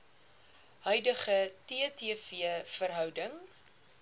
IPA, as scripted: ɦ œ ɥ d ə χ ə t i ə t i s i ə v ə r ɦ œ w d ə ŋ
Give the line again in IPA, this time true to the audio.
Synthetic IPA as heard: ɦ œ ɥ d ə χ ə t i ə t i f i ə f ə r ɦ œ w d ə ŋ